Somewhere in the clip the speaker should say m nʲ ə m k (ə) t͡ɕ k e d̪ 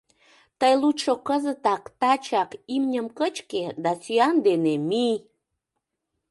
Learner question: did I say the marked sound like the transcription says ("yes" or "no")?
yes